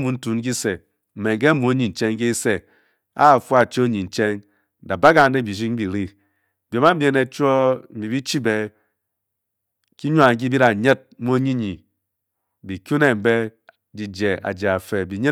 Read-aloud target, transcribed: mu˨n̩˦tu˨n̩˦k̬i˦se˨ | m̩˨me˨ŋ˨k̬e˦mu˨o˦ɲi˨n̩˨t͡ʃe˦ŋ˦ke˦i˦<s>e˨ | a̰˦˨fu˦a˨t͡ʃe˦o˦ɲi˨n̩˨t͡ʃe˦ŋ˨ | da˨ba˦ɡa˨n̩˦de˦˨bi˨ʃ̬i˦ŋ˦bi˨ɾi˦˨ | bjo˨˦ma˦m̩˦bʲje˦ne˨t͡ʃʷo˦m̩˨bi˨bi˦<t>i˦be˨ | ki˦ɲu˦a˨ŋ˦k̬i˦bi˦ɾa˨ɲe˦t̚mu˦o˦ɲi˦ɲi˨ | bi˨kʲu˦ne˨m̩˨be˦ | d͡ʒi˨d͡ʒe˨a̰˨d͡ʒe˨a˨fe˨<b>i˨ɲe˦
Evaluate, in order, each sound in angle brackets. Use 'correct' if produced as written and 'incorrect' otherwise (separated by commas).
correct, incorrect, correct